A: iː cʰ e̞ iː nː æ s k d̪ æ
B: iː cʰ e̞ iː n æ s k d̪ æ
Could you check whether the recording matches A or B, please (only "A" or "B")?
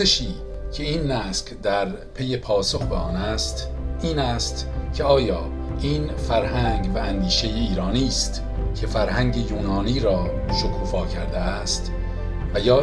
A